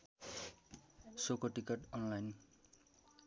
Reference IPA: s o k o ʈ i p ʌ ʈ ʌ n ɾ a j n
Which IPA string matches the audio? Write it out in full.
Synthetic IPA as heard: s o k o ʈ i k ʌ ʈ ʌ n l a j n